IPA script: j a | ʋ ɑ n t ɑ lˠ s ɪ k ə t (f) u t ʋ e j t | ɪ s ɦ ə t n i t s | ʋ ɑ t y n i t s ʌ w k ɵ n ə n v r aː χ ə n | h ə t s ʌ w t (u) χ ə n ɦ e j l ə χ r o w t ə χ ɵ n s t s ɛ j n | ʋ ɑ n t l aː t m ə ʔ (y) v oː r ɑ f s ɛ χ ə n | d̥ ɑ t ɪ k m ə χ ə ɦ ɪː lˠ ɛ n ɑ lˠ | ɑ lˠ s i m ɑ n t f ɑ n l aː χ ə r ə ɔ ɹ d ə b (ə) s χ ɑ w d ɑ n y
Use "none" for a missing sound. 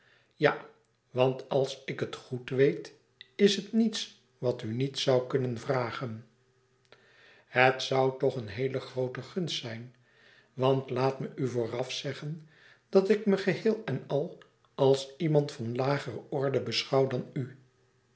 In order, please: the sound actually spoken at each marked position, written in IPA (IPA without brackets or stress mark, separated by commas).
χ, ɔ, y, ə